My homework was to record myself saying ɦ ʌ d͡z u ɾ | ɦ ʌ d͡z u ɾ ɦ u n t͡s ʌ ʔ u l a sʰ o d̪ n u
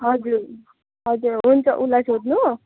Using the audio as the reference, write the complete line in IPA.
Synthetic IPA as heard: ɦ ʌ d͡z u ɾ | ɦ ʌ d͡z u ɾ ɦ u n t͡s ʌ ʔ u l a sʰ o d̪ n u